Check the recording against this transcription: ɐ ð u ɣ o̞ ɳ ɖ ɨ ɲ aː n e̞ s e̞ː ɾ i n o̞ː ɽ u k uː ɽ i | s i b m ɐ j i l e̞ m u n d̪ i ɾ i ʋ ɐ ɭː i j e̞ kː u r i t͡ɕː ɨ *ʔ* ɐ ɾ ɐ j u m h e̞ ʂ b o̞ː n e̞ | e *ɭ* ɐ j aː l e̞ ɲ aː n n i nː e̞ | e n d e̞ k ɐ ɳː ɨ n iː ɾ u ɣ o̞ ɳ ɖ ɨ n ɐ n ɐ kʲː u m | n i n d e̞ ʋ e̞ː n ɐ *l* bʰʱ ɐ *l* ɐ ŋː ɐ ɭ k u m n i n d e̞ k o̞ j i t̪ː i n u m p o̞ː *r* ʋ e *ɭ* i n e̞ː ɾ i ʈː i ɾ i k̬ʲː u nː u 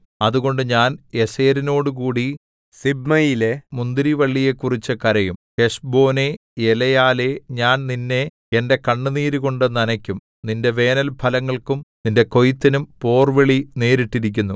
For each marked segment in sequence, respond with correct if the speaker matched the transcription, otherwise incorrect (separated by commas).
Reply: incorrect, incorrect, correct, correct, correct, correct